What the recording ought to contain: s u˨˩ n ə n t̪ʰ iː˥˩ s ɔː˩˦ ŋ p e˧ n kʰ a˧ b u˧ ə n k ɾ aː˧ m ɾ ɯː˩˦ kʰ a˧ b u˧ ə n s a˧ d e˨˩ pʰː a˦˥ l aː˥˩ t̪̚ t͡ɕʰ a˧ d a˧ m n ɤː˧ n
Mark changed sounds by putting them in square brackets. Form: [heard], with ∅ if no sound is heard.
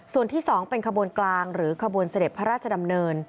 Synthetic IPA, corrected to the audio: s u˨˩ [∅] ə n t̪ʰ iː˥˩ s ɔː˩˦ ŋ p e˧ n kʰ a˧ b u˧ ə n k [l] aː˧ [ŋ] ɾ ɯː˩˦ kʰ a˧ b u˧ ə n s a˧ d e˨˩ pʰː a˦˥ [ɾ] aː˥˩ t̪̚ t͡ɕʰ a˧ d a˧ m n ɤː˧ n